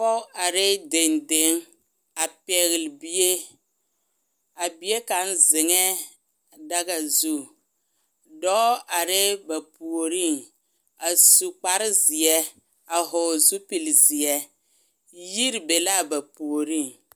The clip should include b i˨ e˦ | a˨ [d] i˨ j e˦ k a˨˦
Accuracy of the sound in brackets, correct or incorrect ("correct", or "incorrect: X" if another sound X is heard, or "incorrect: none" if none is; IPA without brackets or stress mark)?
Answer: incorrect: b